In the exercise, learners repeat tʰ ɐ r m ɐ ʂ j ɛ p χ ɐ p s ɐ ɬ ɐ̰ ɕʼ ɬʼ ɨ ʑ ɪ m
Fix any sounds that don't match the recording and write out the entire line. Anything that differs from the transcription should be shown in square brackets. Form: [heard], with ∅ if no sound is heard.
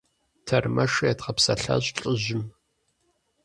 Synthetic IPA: tʰ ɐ r m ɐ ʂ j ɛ [t] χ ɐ p s ɐ ɬ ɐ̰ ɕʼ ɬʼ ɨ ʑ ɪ m